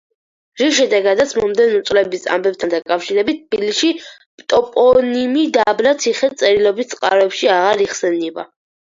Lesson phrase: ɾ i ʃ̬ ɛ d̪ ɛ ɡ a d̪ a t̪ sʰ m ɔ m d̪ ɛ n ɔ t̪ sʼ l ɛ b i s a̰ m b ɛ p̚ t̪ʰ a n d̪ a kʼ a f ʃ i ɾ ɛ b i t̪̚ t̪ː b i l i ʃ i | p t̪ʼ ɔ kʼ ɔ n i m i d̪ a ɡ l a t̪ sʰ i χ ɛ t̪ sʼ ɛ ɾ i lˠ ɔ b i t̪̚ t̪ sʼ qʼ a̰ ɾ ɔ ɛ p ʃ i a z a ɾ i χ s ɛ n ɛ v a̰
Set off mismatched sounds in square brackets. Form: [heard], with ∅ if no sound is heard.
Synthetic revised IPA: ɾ i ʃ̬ ɛ d̪ ɛ ɡ a d̪ a t̪ sʰ m ɔ m d̪ ɛ n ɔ t̪ sʼ l ɛ b i s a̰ m b ɛ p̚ t̪ʰ a n d̪ a kʼ a f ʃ i ɾ ɛ b i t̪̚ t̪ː b i l i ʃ i | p t̪ʼ ɔ [pʼ] ɔ n i m i d̪ a [b] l a t̪ sʰ i χ ɛ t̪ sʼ ɛ ɾ i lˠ ɔ b i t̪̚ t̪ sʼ qʼ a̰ ɾ ɔ ɛ p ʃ i a [ʁ] a ɾ i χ s ɛ n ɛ [b] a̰